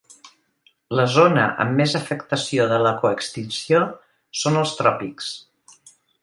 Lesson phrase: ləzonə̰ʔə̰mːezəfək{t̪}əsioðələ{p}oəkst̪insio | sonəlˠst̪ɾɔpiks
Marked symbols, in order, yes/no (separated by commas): yes, no